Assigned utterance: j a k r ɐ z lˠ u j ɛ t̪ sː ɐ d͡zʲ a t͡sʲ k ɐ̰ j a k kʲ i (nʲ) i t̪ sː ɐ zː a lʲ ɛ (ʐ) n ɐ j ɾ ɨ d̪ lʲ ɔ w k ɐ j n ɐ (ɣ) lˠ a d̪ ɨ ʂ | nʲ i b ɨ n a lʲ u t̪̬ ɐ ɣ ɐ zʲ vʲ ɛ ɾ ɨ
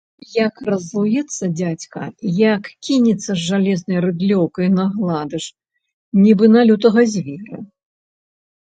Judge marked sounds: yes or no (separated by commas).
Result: yes, no, yes